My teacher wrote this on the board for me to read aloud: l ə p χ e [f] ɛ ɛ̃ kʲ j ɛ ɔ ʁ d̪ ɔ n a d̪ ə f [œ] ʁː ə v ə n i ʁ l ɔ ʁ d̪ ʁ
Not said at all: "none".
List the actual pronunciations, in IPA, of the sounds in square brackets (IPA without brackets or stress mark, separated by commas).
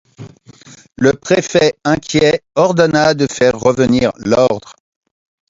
f, ɛ